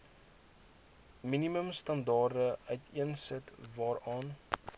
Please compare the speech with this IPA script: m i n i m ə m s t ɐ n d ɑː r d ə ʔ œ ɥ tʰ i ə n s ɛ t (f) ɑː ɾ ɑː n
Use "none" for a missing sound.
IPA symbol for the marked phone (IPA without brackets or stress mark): v